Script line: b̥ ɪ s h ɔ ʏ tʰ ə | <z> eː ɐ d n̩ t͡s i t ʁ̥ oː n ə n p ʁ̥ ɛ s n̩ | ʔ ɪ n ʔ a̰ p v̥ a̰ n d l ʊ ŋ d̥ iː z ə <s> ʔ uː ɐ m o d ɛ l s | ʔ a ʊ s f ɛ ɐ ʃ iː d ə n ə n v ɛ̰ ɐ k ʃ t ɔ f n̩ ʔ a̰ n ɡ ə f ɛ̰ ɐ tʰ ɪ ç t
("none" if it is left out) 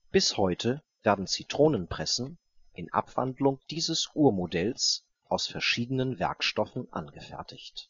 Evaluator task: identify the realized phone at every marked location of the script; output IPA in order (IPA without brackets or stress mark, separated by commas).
v, s